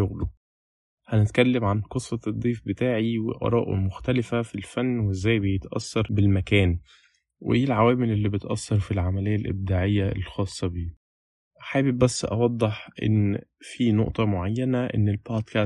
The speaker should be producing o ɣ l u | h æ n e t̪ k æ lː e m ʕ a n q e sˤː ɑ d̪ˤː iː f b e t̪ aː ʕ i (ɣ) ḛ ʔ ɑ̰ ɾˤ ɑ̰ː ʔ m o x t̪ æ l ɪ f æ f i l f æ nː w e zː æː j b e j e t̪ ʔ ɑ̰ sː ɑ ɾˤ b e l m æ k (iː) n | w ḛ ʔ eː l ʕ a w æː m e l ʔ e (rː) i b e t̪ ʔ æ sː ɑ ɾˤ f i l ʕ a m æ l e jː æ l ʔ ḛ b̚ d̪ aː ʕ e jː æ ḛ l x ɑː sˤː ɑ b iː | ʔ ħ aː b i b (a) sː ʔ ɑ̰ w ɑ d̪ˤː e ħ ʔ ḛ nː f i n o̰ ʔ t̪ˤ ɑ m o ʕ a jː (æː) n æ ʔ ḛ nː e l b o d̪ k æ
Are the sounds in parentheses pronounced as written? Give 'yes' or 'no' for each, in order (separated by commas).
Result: no, no, no, no, no